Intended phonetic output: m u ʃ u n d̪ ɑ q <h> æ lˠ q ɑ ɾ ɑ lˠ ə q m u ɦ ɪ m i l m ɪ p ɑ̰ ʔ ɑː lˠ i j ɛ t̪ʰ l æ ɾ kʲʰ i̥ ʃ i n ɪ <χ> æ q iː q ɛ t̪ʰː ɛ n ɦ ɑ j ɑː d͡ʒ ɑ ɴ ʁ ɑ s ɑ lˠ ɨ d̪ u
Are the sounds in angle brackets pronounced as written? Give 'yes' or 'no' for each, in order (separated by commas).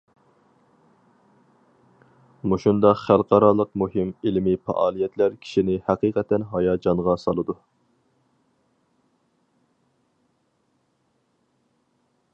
no, no